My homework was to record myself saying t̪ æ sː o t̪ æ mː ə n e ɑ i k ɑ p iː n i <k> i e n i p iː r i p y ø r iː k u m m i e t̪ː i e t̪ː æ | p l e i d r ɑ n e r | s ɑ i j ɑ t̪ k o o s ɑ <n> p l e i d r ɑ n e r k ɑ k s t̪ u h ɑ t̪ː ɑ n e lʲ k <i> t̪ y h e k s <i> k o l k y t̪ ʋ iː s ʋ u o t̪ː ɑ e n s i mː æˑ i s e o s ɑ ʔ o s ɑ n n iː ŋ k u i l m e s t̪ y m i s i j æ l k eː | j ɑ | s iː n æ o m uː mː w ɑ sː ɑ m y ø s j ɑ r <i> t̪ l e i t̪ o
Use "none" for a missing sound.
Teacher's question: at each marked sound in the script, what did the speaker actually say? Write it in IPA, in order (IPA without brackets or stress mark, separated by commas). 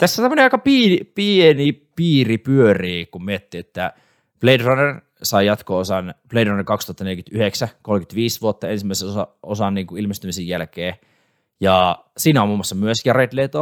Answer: p, n, y, æ, e